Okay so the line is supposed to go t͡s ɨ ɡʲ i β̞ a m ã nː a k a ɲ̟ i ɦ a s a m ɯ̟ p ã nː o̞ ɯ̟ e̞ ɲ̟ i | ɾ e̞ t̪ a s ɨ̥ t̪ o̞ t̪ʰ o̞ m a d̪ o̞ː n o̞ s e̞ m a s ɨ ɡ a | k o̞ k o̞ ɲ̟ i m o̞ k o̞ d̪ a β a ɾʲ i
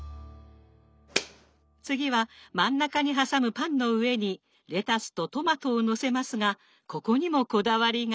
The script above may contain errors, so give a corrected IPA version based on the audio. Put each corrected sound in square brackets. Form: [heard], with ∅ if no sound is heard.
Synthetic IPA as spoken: t͡s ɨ ɡʲ i β̞ a m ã nː a k a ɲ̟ i ɦ a s a m ɯ̟ p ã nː o̞ ɯ̟ e̞ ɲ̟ i | ɾ e̞ t̪ a s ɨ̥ t̪ o̞ [t̪] o̞ m a [t̪] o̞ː n o̞ s e̞ m a s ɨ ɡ a | k o̞ k o̞ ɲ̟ i m o̞ k o̞ d̪ a β a ɾʲ i